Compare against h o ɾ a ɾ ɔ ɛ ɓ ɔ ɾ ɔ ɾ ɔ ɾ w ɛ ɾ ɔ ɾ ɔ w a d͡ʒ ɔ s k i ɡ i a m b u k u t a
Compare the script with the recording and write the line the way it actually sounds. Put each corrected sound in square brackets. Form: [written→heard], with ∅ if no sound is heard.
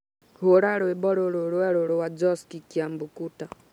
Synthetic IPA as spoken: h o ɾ a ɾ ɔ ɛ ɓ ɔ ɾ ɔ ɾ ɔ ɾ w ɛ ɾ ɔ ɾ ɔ w a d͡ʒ ɔ s k i [ɡ→k] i a m b u k u t a